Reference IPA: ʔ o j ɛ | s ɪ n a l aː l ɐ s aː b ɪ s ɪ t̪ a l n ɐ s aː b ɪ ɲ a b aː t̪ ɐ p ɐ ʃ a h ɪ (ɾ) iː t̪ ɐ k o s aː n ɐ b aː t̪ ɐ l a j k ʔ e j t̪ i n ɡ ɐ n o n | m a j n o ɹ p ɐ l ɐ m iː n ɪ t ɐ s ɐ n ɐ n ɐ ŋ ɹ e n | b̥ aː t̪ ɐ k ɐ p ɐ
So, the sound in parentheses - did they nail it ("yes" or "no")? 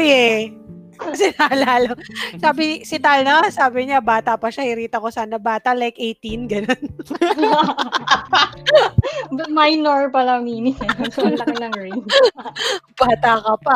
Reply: yes